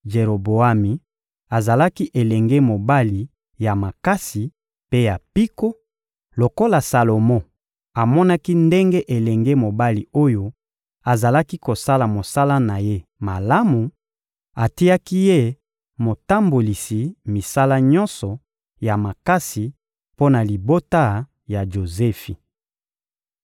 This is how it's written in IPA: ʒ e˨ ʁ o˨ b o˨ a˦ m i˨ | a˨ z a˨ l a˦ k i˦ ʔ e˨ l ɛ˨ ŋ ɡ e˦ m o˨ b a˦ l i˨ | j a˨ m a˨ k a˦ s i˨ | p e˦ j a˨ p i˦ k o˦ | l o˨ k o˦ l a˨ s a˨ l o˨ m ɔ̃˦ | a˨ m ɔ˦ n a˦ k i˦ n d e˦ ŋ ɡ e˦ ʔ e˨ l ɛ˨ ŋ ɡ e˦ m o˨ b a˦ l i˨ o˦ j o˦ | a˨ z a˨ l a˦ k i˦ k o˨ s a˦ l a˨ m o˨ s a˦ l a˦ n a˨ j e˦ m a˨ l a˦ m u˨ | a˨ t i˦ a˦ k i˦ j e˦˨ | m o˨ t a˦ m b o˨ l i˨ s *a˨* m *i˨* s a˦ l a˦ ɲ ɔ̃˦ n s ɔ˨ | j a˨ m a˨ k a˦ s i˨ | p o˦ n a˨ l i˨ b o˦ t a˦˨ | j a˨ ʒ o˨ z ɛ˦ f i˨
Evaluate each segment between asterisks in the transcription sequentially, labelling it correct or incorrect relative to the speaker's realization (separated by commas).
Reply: incorrect, correct